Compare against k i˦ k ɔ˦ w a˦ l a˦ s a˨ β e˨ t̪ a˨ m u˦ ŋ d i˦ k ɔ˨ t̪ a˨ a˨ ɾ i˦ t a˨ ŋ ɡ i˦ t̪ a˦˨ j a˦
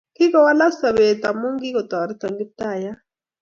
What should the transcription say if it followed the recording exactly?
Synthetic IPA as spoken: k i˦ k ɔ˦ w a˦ l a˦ s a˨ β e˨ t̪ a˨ m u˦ ŋ ɡ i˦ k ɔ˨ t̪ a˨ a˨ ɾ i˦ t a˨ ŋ ɡ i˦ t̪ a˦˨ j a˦